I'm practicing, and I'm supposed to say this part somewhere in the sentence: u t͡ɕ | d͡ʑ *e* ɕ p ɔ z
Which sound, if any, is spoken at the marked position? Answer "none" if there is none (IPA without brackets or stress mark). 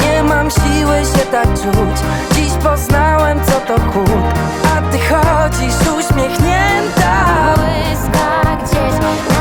i